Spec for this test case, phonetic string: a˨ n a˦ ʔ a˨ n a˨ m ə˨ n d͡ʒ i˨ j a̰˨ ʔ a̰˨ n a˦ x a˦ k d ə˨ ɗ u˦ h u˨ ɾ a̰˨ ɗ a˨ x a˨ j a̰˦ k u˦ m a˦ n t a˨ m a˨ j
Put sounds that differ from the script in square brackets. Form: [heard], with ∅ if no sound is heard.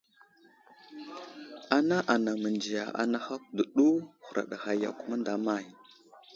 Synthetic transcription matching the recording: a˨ n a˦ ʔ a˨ n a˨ m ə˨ n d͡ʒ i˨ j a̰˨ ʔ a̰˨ n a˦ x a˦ k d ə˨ ɗ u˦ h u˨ ɾ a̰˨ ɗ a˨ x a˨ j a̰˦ k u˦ m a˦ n [d] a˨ m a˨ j